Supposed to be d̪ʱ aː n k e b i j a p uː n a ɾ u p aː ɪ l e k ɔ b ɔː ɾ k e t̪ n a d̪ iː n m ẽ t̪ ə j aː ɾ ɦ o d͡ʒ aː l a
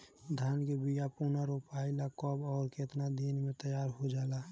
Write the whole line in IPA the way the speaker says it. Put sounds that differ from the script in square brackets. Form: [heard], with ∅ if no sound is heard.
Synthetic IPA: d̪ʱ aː n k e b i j a p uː n a ɾ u p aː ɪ l [a] k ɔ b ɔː ɾ k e t̪ n a d̪ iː n m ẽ t̪ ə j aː ɾ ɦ o d͡ʒ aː l a